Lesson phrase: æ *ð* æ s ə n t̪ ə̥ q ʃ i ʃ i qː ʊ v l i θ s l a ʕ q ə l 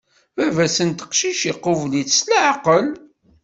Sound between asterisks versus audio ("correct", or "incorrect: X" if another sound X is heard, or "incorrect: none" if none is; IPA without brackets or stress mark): incorrect: v